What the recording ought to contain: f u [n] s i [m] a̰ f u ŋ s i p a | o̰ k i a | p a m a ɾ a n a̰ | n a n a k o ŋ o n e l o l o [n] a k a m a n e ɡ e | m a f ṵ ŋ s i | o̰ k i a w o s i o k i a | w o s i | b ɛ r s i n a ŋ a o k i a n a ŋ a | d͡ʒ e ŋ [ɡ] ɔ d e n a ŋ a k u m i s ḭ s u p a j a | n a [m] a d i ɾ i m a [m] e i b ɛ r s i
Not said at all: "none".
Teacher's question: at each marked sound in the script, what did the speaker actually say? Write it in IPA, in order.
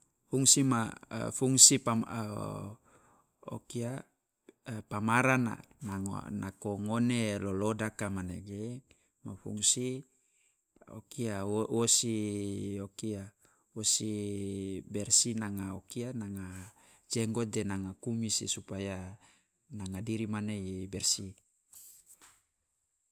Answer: ŋ, m, d, ɡ, ŋ, n

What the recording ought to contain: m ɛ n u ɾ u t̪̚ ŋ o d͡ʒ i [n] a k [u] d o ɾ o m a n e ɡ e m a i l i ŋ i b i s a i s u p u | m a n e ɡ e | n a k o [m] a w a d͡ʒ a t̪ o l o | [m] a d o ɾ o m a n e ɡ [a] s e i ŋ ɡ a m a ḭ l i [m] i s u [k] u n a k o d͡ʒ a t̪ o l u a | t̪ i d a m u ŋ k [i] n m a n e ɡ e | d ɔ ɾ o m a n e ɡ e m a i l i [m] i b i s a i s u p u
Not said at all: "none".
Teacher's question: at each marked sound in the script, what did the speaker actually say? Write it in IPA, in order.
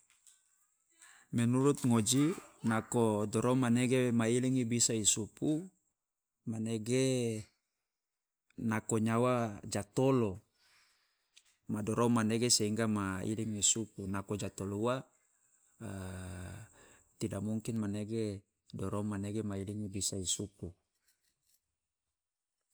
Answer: n, o, ɲ, m, e, ŋ, p, i, ŋ

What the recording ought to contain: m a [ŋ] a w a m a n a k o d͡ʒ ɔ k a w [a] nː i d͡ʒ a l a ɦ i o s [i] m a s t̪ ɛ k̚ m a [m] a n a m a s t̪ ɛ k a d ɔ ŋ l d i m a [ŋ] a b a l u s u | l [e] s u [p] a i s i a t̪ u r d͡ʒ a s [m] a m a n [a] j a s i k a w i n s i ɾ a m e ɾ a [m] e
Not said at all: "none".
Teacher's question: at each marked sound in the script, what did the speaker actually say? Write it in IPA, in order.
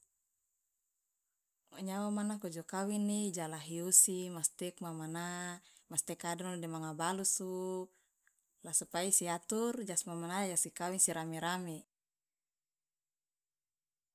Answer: ɲ, i, i, m, ŋ, a, p, m, a, m

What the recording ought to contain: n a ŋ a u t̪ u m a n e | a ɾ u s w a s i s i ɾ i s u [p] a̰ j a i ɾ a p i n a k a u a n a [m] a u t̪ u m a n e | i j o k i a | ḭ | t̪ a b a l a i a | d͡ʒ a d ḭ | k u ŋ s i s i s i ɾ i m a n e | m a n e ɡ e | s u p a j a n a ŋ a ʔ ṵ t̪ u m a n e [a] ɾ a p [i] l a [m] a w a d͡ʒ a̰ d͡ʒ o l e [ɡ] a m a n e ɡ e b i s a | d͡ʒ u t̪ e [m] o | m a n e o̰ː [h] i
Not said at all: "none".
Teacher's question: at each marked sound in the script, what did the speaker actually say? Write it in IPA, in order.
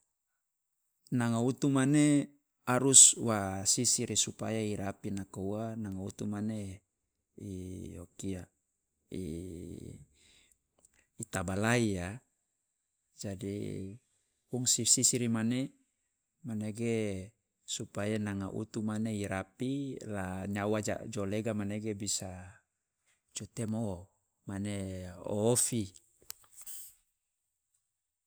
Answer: p, ŋ, i, i, ɲ, ɡ, m, f

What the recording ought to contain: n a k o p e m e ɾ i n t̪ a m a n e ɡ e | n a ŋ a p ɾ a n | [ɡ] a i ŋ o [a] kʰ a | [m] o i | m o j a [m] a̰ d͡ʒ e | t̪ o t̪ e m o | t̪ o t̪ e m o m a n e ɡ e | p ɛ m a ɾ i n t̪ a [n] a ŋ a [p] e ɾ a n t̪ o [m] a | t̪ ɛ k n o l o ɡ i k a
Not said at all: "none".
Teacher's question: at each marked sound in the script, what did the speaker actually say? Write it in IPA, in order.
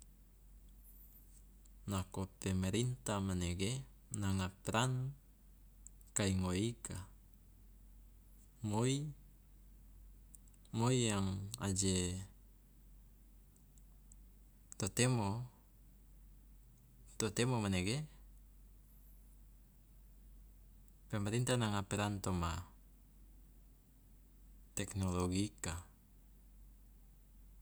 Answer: k, i, m, ŋ, n, p, m

